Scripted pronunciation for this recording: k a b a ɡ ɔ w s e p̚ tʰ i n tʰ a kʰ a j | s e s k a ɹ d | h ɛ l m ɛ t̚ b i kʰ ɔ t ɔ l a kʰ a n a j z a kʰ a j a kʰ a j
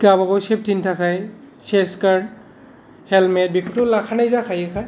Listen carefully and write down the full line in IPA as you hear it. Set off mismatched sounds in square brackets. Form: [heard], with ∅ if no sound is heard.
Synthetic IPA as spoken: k a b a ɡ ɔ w s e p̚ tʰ i n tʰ a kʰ a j | s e s k a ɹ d | h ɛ l m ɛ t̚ b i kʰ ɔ t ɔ l a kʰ a n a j z a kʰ a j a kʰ a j